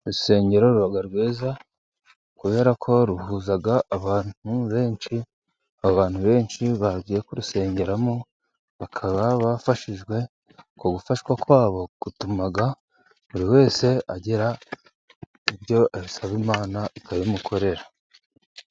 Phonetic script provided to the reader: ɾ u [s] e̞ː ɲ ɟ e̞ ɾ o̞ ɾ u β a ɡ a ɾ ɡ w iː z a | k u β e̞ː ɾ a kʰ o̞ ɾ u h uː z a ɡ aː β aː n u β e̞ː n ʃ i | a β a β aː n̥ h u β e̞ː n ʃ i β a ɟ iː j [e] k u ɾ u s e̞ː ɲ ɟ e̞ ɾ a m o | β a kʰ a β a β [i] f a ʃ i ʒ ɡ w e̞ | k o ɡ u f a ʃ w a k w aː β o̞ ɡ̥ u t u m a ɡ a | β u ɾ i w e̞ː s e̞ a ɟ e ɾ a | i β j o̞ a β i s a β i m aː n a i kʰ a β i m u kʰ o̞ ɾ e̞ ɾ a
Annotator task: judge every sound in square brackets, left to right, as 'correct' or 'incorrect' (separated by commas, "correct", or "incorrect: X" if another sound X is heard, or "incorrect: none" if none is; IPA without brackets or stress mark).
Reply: correct, correct, incorrect: a